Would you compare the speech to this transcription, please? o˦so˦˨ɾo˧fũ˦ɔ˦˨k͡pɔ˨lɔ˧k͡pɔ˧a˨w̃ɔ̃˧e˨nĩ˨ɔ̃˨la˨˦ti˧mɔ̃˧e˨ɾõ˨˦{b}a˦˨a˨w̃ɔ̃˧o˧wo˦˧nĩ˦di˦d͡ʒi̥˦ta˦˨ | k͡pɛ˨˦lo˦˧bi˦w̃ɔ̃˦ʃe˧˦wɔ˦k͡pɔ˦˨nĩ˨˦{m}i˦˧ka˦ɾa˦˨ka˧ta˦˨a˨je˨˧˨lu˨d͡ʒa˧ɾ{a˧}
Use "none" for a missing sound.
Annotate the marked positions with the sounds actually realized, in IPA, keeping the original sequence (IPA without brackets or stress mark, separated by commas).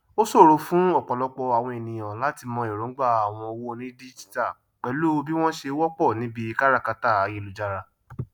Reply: ɡ͡b, b, a˧